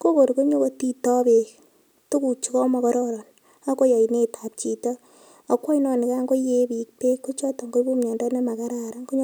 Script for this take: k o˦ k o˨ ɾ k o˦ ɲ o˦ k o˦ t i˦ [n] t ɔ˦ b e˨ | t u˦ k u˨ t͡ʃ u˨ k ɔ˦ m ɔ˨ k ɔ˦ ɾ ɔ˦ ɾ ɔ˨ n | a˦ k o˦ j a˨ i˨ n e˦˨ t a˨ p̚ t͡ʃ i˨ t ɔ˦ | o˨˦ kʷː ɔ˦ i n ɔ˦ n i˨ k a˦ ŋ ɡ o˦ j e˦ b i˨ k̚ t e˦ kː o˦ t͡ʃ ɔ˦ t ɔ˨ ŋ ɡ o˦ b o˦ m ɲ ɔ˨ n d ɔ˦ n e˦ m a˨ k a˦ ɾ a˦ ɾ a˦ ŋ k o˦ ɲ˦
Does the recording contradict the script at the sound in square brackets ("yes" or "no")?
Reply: yes